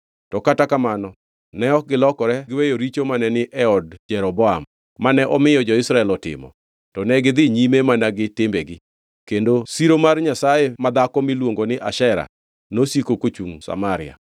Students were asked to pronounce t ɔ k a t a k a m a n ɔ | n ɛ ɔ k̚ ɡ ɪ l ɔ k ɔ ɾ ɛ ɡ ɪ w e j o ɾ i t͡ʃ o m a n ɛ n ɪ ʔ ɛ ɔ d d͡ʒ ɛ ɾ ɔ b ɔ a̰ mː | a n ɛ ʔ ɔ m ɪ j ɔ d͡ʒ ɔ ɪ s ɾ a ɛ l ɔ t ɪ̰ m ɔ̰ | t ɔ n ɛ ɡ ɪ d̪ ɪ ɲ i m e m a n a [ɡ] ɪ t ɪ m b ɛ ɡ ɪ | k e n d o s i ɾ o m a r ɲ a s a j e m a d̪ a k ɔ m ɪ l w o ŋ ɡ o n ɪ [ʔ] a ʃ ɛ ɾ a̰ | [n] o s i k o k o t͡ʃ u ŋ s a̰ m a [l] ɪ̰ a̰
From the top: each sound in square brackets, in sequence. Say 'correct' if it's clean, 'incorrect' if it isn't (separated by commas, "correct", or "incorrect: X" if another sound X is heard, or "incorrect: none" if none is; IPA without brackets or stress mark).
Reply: correct, correct, correct, incorrect: ɾ